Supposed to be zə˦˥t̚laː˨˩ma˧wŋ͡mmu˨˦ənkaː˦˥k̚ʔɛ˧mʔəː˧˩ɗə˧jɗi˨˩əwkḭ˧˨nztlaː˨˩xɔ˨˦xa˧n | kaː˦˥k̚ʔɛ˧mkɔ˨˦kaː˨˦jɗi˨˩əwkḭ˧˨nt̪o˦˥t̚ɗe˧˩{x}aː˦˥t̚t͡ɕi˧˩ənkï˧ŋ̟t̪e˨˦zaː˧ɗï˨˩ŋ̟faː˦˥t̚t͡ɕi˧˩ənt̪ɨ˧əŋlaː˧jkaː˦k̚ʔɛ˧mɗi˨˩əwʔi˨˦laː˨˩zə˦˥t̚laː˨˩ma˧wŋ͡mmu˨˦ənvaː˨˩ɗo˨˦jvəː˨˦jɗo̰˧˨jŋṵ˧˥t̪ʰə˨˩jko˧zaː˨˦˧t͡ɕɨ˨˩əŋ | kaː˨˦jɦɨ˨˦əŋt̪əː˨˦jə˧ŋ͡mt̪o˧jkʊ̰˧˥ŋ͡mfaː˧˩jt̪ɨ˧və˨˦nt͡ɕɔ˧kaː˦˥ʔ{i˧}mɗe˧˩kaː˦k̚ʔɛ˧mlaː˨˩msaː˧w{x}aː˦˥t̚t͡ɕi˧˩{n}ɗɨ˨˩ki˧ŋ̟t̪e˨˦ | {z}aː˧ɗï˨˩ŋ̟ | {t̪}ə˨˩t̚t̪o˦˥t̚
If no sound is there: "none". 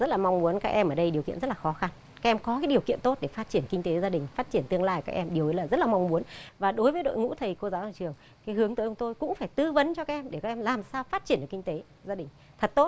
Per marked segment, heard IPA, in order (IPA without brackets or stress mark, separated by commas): f, ɛ˧, f, n, z, t̪ʰ